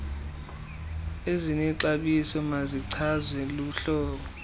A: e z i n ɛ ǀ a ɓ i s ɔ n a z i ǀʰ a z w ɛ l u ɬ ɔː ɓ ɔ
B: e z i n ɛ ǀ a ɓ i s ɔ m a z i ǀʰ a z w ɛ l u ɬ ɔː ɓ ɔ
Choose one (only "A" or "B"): B